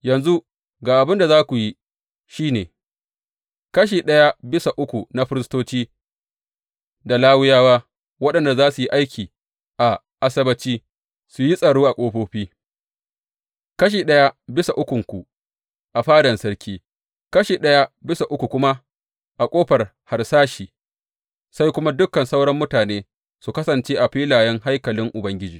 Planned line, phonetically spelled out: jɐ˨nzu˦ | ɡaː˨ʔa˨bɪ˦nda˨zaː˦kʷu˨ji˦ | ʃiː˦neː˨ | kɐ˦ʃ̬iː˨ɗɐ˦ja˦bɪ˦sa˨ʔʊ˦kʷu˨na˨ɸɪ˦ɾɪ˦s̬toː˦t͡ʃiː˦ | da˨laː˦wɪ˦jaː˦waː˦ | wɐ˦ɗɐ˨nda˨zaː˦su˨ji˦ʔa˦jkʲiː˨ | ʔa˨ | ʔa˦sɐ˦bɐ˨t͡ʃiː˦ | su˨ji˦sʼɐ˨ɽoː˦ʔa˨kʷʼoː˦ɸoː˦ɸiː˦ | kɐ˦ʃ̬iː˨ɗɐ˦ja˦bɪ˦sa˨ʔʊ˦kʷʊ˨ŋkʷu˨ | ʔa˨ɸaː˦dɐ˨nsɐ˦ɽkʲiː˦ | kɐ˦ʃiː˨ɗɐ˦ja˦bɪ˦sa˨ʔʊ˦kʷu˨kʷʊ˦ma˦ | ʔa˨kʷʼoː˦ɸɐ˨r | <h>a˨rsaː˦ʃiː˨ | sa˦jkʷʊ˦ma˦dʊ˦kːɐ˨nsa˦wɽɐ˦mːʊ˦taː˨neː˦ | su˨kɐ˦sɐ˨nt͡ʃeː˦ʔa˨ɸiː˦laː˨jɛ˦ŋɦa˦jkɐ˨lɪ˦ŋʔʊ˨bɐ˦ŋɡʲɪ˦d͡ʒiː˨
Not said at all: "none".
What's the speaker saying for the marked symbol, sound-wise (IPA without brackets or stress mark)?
h